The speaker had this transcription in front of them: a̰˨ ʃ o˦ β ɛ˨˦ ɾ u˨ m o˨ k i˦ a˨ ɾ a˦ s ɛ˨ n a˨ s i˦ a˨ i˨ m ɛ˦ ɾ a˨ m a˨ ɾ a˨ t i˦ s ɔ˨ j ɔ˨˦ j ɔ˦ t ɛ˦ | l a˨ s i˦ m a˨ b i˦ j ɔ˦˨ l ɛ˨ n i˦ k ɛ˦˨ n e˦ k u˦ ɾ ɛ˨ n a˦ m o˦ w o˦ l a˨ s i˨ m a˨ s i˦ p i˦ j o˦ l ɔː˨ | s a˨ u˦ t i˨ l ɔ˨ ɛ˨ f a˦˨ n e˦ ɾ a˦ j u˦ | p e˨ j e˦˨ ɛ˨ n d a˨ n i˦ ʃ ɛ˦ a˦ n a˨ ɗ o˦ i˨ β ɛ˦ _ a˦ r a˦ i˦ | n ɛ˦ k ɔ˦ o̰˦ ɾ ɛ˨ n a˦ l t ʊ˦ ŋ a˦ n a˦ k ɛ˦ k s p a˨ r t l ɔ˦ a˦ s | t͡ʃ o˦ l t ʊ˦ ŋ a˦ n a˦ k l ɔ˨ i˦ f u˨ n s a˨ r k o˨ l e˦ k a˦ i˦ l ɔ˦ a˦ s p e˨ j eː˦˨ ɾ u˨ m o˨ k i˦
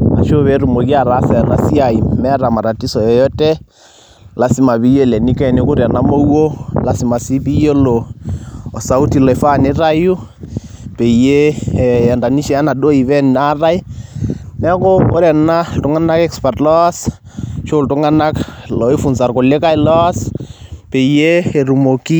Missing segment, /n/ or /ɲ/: n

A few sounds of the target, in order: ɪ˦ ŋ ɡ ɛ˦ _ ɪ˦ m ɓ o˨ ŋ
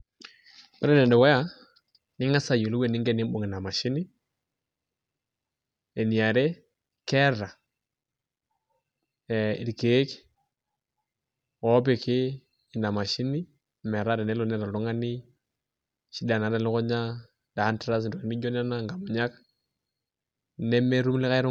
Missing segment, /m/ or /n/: n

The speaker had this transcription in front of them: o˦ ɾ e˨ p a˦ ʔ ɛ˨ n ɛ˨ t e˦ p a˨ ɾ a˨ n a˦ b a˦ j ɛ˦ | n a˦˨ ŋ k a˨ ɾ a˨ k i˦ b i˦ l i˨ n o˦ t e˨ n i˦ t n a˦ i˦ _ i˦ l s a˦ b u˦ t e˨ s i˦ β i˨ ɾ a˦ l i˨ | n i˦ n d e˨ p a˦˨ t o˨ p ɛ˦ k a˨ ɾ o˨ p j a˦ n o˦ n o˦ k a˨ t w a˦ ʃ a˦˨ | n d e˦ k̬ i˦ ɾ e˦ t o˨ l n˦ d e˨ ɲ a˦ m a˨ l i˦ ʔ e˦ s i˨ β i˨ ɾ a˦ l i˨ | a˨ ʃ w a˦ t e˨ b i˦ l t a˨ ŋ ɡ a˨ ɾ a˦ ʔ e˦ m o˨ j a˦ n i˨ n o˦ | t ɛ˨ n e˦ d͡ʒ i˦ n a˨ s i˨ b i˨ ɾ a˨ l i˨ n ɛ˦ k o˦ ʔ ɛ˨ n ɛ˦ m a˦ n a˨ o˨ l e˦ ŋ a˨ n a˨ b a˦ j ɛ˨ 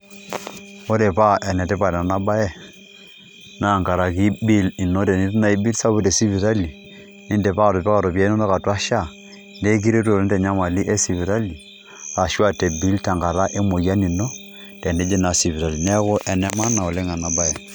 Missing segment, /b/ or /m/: b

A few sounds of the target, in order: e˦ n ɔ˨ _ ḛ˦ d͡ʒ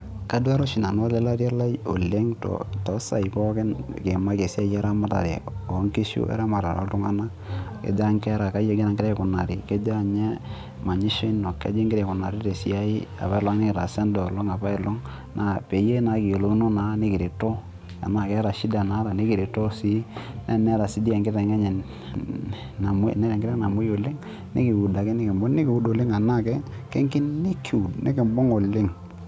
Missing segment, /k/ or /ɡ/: k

